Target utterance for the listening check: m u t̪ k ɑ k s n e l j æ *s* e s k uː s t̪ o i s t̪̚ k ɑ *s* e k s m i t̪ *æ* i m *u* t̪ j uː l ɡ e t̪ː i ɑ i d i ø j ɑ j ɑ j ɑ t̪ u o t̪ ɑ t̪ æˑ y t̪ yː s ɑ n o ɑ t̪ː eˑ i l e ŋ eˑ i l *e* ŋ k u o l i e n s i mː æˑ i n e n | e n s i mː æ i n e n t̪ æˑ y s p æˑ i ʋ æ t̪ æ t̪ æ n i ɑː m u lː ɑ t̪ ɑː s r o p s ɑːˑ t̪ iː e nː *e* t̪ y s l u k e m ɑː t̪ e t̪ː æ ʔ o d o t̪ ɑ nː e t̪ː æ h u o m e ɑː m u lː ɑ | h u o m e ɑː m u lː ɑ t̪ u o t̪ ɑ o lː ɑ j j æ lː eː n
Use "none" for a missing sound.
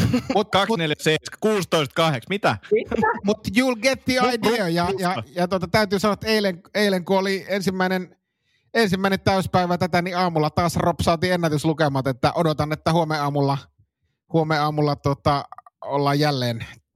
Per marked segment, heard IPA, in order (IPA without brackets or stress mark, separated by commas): s, h, æ, u, e, æ